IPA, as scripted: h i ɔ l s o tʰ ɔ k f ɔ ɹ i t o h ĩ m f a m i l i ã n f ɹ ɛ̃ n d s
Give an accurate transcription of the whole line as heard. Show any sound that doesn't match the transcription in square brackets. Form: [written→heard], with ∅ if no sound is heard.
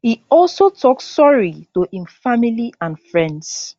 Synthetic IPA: h i ɔ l s o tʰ ɔ k [f→s] ɔ ɹ i t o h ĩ m f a m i l i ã n f ɹ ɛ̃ n d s